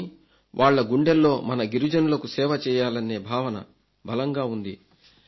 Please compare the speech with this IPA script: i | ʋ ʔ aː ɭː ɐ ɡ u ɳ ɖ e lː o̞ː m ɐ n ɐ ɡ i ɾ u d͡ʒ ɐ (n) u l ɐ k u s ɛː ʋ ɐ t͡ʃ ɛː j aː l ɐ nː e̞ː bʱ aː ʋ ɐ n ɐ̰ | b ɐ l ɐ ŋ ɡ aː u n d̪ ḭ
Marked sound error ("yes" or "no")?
no